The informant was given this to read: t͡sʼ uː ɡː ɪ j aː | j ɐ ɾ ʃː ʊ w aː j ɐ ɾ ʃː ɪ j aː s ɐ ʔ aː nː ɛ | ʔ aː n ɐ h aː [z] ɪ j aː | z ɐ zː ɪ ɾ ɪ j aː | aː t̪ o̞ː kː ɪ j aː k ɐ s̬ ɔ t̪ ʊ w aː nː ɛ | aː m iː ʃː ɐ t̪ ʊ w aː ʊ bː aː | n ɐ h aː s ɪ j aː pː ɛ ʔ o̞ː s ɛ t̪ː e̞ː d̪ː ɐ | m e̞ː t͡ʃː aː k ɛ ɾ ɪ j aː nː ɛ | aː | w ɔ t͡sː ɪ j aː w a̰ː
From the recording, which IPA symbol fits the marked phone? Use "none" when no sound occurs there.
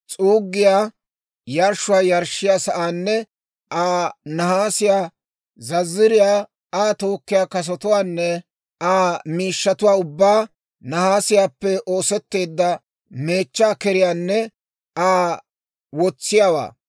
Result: s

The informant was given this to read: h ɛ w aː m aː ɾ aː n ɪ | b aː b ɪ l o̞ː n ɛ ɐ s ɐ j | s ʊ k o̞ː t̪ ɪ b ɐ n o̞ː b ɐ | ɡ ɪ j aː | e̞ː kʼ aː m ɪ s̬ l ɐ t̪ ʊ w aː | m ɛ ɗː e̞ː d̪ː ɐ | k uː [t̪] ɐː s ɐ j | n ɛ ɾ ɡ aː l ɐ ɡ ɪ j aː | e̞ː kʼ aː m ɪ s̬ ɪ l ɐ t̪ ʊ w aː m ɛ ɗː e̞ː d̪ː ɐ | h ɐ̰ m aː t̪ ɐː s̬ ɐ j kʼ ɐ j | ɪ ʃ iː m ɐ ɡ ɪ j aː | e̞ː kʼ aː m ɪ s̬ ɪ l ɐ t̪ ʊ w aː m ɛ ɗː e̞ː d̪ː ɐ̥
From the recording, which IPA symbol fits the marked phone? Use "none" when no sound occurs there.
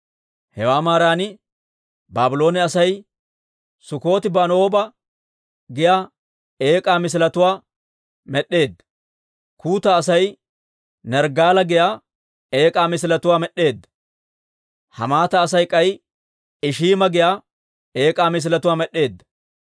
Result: t̪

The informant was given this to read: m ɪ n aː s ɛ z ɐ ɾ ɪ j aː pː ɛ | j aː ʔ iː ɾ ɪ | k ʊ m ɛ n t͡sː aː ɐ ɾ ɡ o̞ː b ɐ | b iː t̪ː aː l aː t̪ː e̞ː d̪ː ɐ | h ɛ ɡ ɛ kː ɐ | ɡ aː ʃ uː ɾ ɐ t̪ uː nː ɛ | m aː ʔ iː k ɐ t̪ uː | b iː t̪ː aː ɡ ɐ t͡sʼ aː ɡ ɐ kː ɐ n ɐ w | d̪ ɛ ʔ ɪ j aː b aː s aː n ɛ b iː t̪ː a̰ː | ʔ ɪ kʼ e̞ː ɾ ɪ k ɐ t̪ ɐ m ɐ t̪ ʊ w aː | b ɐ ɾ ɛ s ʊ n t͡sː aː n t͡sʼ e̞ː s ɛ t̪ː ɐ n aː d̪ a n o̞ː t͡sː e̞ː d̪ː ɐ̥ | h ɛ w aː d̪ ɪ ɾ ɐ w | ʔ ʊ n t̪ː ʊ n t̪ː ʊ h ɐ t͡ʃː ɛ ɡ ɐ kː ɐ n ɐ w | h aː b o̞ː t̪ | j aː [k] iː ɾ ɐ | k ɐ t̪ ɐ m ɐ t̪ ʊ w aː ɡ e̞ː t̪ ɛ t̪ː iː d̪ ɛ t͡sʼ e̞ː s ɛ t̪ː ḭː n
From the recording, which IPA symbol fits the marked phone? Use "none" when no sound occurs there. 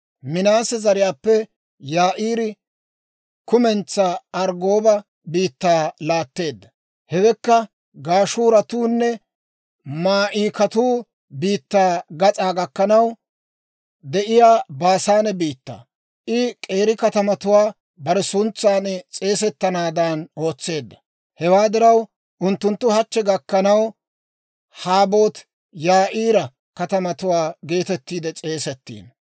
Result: ʔ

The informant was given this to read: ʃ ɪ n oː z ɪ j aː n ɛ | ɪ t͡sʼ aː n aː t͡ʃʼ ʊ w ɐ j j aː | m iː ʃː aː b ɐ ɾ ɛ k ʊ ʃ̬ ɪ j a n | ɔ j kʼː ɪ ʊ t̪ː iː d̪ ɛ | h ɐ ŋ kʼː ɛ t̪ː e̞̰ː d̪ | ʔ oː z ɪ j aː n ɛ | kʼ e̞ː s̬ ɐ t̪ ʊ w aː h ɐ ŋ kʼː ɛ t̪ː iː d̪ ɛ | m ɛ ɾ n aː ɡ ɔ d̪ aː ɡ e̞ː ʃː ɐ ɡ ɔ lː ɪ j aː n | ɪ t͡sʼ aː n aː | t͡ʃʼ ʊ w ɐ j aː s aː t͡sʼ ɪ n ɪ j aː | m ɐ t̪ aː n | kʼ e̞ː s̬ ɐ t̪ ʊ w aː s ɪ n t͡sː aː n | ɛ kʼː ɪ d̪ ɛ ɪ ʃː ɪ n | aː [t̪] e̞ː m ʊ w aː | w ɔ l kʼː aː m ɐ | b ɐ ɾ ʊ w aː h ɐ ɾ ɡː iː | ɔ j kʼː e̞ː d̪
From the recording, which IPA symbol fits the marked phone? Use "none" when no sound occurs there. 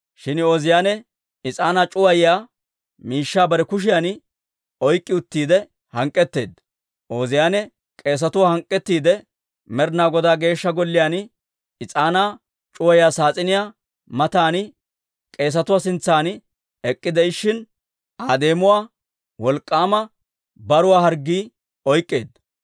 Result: d̪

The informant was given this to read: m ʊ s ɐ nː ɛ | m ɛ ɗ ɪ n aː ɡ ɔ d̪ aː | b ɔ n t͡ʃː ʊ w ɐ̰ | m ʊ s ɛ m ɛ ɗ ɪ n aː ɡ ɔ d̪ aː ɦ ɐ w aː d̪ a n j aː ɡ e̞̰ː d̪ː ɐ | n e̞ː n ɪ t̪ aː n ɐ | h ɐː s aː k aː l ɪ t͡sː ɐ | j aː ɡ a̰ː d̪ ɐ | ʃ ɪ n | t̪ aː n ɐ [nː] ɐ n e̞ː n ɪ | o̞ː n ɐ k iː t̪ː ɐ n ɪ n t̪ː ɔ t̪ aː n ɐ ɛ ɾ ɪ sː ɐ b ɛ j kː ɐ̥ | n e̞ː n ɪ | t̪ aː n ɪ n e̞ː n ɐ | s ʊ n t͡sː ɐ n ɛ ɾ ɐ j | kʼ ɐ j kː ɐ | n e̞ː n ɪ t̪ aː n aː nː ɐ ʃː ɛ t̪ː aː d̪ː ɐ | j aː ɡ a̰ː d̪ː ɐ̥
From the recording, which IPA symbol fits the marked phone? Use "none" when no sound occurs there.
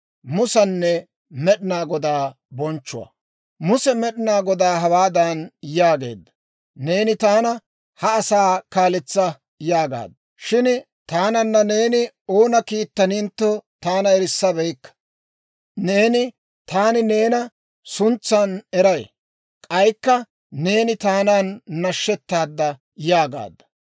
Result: nː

